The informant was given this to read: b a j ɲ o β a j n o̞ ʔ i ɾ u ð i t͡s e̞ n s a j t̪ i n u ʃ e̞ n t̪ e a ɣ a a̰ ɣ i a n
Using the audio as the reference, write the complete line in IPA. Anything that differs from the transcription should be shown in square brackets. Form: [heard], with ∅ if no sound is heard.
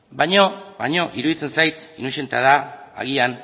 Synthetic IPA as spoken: b a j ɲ o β a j [ɲ] o̞ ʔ i ɾ u ð i t͡s e̞ n s a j t̪ i n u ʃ e̞ n t̪ e a [ð] a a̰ ɣ i a n